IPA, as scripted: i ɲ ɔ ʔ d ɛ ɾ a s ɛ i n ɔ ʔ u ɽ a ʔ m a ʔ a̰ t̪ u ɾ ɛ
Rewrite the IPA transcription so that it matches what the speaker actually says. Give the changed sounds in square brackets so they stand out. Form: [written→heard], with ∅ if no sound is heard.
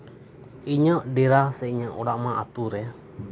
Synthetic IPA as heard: i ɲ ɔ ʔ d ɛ ɾ a s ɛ i [n→ɲ] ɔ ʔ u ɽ a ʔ m a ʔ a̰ t̪ u ɾ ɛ

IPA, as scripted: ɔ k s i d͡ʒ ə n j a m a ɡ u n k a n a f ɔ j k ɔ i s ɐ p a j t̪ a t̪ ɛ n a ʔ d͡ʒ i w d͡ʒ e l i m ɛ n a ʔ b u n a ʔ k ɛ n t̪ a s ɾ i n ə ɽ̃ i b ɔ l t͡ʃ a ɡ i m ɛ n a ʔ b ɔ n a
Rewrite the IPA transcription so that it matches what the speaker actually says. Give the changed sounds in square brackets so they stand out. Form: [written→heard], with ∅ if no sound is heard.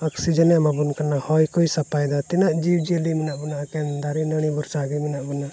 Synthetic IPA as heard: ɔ k s i d͡ʒ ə n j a m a [ɡ→b] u n k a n a [f→h] ɔ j k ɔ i s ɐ p a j [t̪→d̪] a t̪ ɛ n a ʔ d͡ʒ i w d͡ʒ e l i m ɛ n a ʔ b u n a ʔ k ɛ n [t̪→d̪] a [s→∅] ɾ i n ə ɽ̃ i b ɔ [l→ɾ] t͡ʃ a ɡ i m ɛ n a ʔ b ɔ n a

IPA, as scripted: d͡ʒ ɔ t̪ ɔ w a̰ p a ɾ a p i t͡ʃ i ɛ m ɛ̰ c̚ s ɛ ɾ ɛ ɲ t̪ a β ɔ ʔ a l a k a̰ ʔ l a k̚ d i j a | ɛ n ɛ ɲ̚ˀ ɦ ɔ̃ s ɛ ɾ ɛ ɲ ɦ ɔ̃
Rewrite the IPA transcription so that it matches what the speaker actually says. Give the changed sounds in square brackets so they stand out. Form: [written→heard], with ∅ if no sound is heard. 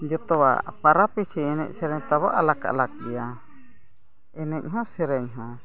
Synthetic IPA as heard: d͡ʒ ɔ t̪ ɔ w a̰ p a ɾ a p i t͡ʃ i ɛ [m→n] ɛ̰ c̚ s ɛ ɾ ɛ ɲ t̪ a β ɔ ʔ a l a k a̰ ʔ l a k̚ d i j a | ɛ n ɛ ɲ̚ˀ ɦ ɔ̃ s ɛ ɾ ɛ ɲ ɦ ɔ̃

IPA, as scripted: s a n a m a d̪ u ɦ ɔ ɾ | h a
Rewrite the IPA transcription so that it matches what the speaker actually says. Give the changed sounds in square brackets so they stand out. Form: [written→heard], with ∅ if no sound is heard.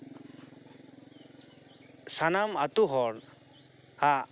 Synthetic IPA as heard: s a n a m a [d̪→t̪] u ɦ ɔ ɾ | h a

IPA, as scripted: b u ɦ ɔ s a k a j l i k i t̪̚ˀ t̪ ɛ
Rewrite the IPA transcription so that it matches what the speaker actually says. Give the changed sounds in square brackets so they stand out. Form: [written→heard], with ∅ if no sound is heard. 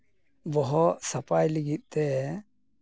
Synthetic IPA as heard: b [u→ɔ] ɦ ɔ s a [k→p] a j l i [k→ɡ] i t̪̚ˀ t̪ ɛ

